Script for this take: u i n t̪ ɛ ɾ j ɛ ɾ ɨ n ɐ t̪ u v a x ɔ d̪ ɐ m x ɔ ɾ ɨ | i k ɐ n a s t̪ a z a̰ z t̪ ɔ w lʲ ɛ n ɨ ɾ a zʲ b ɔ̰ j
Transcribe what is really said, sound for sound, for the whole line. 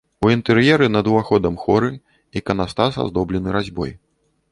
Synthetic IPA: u i n t̪ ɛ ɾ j ɛ ɾ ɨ n ɐ d̪ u v a x ɔ d̪ ɐ m x ɔ ɾ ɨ | i k ɐ n a s t̪ a s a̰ z d̪ ɔ b lʲ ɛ n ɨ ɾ a zʲ b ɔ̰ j